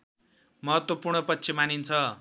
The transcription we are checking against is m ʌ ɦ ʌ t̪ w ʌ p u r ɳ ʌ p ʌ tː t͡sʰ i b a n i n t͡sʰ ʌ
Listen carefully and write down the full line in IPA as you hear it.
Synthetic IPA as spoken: m ʌ ɦ ʌ t̪ w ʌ p u r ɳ ʌ p ʌ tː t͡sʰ i m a n i n t͡sʰ ʌ